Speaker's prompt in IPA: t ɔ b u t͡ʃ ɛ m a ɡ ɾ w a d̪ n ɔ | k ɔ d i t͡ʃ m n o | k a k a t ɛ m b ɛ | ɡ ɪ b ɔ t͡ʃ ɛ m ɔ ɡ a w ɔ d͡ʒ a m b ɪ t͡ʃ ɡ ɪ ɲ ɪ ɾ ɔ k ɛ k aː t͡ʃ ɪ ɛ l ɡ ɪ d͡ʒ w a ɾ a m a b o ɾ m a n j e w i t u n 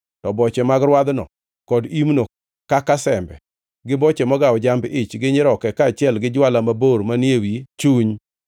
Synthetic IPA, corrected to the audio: t ɔ b ɔ t͡ʃ ɛ m a ɡ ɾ w a d̪ n ɔ | k ɔ d i m n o | k a k a s ɛ m b ɛ | ɡ ɪ b ɔ t͡ʃ ɛ m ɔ ɡ a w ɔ d͡ʒ a m b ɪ t͡ʃ ɡ ɪ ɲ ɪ ɾ ɔ k ɛ k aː t͡ʃ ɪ ɛ l ɡ ɪ d͡ʒ w a l a m a b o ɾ m a n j e w i t͡ʃ u ɲ